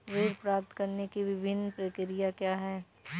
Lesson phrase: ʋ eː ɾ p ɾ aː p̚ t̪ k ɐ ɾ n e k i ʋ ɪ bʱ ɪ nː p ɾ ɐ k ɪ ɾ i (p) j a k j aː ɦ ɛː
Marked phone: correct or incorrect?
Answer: incorrect